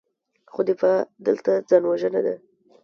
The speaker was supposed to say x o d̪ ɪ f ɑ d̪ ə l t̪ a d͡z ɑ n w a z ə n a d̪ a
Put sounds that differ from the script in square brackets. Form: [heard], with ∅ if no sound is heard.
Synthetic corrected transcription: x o d̪ ɪ f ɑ d̪ ə l t̪ a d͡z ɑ n w a [ʒ] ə n a d̪ a